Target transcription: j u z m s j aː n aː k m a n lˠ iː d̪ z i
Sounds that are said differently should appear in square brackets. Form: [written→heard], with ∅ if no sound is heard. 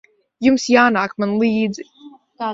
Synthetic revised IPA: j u [z→∅] m s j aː n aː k m a n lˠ iː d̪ z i